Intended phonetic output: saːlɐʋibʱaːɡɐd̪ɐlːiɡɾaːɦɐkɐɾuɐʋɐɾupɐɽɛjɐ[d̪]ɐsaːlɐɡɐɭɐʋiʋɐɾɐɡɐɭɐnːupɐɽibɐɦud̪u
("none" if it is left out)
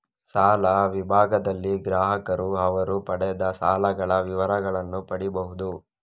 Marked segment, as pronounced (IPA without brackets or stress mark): d̪